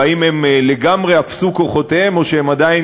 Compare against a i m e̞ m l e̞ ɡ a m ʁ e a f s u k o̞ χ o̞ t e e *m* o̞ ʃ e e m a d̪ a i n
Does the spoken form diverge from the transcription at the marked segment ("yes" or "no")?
no